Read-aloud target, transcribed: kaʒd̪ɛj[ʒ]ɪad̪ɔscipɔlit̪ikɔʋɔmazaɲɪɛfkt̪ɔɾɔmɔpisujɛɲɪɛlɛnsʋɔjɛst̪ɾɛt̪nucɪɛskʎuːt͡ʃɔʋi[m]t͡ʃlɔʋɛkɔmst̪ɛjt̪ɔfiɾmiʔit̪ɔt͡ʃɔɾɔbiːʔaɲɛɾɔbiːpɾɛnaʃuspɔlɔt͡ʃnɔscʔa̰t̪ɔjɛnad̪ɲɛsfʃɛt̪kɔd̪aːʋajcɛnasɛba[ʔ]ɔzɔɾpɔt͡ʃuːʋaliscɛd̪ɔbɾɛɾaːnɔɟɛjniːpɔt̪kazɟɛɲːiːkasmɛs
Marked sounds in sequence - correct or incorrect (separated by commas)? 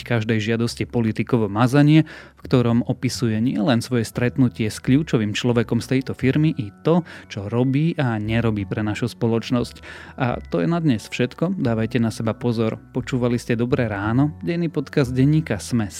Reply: correct, correct, incorrect